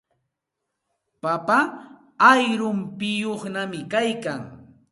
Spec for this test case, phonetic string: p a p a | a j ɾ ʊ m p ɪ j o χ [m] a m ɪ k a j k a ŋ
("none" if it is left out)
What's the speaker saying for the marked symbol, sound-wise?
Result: n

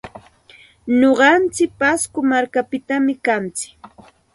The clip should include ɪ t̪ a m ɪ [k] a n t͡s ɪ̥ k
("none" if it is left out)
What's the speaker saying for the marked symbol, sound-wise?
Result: k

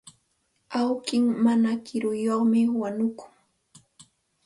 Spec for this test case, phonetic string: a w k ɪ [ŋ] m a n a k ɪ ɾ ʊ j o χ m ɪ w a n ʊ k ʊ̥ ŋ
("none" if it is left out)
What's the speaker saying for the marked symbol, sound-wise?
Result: ŋ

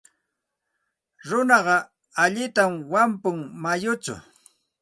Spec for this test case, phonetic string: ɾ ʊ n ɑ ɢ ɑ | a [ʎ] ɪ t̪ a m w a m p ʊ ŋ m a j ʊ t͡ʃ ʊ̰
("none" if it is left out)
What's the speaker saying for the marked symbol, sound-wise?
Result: ʎ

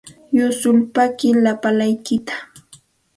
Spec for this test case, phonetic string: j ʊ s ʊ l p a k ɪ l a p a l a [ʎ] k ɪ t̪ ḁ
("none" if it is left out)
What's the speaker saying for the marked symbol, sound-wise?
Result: j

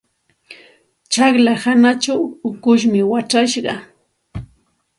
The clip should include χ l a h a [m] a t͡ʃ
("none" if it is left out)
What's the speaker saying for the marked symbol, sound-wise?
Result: n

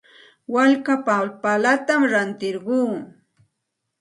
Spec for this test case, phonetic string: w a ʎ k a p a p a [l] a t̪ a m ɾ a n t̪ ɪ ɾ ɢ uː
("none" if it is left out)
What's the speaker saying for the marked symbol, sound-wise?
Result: l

